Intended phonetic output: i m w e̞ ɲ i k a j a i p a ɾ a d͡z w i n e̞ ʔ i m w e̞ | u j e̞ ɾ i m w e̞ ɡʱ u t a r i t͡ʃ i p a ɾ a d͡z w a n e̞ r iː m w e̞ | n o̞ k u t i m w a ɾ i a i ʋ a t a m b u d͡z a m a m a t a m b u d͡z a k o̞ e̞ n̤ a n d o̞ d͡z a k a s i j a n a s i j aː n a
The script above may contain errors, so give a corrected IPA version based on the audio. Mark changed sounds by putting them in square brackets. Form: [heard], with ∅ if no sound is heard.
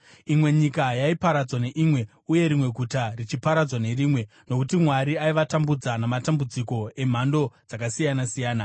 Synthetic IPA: i m w e̞ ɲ i k a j a i p a ɾ a d͡z w [a] n e̞ ʔ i m w e̞ | u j e̞ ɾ i m w e̞ ɡʱ u t a r i t͡ʃ i p a ɾ a d͡z w a n e̞ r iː m w e̞ | n o̞ k u t i m w a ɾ i a i ʋ a t a m b u d͡z a [n] a m a t a m b u d͡z [i] k o̞ e̞ [m̤] a n d o̞ d͡z a k a s i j a n a s i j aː n a